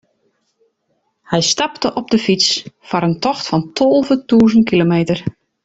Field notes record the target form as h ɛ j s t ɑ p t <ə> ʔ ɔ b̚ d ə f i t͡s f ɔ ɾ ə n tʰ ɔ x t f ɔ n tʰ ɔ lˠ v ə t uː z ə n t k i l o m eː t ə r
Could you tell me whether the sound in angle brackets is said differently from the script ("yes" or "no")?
no